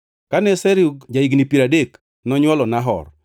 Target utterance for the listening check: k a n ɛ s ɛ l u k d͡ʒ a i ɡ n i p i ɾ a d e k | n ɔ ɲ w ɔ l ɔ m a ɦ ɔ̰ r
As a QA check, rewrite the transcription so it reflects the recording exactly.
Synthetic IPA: k a n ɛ s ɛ ɾ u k d͡ʒ a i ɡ n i p i ɾ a d e k | n ɔ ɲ w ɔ l ɔ n a ɦ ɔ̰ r

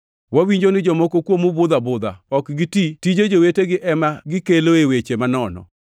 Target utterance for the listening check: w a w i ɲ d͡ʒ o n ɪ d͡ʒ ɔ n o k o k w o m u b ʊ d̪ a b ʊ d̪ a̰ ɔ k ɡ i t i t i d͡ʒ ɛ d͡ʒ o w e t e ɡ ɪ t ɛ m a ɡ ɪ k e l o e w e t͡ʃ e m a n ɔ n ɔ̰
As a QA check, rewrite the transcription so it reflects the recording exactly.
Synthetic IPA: w a w i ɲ d͡ʒ o n ɪ d͡ʒ ɔ m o k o k w o m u b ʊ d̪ a b ʊ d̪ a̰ ɔ k ɡ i t i t i d͡ʒ e d͡ʒ o w e t e ɡ ɪ ʔ ɛ m a ɡ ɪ k e l o e w e t͡ʃ e m a n ɔ n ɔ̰

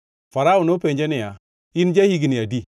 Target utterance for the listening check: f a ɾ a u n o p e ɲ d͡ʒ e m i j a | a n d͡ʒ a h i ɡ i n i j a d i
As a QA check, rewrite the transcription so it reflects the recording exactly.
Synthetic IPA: f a ɾ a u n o p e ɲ d͡ʒ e n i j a | i n d͡ʒ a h i ɡ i n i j a d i

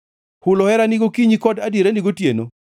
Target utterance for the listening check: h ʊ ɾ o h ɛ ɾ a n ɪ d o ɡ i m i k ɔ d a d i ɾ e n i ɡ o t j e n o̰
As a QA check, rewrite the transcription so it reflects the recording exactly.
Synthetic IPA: h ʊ l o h ɛ ɾ a n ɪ ɡ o k i ɲ i k ɔ d a d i ɾ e n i ɡ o t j e n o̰

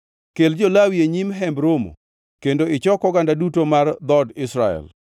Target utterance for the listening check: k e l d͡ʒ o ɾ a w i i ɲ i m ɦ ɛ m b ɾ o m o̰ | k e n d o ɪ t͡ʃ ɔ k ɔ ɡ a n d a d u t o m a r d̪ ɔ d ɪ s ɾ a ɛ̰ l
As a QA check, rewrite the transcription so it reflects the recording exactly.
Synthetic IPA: k e l d͡ʒ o l a w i e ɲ i m ɦ ɛ m b ɾ o m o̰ | k e n d o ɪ t͡ʃ ɔ k ɔ ɡ a n d a d u t o m a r d̪ ɔ d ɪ s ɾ a ɛ̰ l

